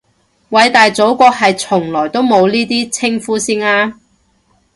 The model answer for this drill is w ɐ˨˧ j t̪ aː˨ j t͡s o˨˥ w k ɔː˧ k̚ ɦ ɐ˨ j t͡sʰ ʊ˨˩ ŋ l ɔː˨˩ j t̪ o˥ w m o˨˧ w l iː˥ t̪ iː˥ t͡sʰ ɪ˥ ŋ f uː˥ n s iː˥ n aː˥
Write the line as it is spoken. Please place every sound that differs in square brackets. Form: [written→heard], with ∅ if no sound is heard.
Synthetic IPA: w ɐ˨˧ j t̪ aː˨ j t͡s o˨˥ w k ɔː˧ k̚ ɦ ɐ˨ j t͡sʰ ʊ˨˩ ŋ l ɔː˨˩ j t̪ o˥ w m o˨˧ w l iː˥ t̪ iː˥ t͡sʰ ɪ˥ ŋ f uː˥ [n→∅] s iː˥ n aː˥

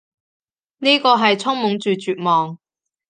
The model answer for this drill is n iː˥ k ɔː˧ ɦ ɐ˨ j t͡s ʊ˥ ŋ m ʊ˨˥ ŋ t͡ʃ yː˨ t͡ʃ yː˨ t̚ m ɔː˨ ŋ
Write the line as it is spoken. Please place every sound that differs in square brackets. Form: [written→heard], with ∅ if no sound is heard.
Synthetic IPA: n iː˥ k ɔː˧ ɦ ɐ˨ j [t͡s→t͡sʰ] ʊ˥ ŋ m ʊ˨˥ ŋ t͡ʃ yː˨ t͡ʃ yː˨ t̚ m ɔː˨ ŋ

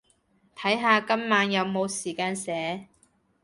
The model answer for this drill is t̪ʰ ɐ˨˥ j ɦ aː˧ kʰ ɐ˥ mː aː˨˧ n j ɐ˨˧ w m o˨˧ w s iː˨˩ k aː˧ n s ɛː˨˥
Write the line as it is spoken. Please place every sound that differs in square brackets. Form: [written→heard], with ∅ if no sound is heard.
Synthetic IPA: t̪ʰ ɐ˨˥ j ɦ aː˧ [kʰ→k] ɐ˥ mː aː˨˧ n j ɐ˨˧ w m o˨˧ w s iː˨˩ k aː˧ n s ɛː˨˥

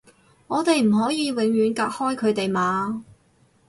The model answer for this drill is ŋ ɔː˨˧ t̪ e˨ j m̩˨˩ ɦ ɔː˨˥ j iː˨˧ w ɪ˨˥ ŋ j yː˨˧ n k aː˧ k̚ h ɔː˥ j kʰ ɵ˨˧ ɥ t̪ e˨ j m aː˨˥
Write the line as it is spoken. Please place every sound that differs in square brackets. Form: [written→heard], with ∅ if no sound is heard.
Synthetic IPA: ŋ ɔː˨˧ t̪ e˨ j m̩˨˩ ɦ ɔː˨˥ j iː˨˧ w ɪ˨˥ ŋ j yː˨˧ n k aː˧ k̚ h ɔː˥ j kʰ ɵ˨˧ ɥ t̪ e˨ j m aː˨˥

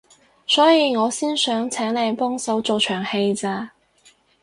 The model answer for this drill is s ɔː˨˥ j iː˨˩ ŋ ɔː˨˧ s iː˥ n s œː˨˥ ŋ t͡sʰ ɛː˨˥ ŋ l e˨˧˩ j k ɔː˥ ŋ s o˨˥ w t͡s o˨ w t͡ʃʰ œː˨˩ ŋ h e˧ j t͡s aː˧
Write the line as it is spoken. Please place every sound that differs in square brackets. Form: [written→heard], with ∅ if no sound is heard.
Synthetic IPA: s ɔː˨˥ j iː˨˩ ŋ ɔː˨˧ s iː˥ n s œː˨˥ ŋ t͡sʰ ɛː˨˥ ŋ l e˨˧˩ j [k→p] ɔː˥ ŋ s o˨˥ w t͡s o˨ w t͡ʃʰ œː˨˩ ŋ h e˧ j t͡s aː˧

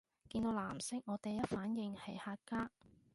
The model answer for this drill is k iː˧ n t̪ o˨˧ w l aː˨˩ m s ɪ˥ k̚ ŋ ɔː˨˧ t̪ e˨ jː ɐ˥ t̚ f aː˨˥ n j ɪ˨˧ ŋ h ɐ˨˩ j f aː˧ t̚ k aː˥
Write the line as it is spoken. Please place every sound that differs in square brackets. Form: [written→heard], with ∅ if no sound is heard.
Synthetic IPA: k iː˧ n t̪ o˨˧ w l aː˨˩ m s ɪ˥ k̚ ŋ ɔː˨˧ t̪ e˨ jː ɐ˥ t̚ f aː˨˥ n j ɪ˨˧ ŋ h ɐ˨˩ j [f→h] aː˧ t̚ k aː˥

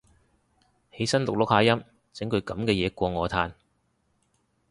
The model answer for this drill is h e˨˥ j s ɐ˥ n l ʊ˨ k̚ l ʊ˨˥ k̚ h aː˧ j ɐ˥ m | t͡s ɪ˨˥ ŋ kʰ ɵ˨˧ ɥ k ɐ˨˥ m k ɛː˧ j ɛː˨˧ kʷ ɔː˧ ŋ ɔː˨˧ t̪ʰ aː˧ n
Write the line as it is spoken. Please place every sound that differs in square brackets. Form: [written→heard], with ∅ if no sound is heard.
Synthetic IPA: h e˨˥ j s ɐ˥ n l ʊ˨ k̚ l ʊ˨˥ k̚ h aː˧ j ɐ˥ m | t͡s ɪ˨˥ ŋ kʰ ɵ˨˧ ɥ k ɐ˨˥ m k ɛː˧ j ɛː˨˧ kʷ ɔː˧ ŋ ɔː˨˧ t̪ʰ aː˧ n

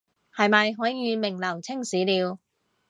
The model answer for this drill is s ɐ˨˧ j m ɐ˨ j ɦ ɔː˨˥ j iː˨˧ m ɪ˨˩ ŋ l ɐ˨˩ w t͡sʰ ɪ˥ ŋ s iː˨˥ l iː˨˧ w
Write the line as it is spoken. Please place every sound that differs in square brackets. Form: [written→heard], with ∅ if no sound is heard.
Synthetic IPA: [s→h] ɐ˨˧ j m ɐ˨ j ɦ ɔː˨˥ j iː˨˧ m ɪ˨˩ ŋ l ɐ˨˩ w t͡sʰ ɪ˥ ŋ s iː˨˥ l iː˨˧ w

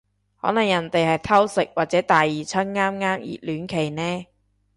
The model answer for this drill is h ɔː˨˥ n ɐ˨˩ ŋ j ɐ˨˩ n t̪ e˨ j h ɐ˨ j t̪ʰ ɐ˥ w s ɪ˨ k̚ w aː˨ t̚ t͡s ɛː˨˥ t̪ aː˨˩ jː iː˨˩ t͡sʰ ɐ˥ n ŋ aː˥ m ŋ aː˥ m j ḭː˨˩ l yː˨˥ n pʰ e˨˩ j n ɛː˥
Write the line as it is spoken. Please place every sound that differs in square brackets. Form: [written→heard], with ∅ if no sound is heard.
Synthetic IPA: h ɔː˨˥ n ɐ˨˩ ŋ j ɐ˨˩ n t̪ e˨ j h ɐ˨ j t̪ʰ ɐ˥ w s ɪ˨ k̚ w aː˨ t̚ t͡s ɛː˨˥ t̪ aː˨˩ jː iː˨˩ t͡sʰ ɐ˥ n ŋ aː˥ m ŋ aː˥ m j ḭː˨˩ l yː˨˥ n [pʰ→kʰ] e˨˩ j n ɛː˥

